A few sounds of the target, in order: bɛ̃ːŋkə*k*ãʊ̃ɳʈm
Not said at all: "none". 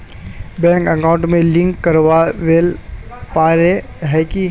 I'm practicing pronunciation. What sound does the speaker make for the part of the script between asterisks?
k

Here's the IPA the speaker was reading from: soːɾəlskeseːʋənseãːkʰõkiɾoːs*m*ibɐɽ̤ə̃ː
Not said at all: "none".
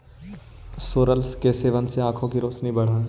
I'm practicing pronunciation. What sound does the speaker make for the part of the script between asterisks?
n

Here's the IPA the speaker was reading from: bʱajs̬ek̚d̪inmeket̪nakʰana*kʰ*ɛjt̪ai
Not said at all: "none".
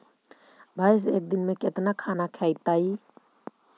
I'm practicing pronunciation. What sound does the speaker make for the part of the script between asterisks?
kʰ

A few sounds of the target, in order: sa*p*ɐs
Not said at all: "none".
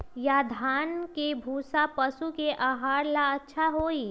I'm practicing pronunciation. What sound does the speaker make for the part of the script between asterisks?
p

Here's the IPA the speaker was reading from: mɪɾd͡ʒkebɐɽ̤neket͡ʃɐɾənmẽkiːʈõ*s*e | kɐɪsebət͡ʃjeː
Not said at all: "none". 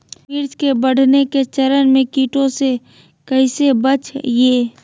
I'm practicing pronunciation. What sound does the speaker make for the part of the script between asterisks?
s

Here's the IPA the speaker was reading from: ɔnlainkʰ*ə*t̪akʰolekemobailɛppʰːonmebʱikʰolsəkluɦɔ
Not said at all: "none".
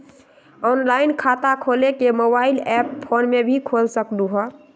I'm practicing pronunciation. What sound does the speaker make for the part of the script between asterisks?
a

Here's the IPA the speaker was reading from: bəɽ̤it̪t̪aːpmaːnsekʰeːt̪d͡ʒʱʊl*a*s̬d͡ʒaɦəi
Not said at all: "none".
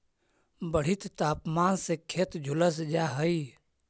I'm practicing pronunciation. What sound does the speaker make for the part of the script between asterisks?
ə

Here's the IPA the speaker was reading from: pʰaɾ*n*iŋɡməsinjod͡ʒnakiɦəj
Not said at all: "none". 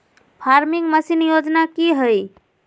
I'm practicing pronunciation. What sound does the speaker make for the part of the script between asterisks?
m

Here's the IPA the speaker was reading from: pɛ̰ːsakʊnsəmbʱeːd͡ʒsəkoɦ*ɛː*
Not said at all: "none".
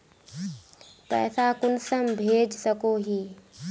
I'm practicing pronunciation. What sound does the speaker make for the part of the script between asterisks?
iː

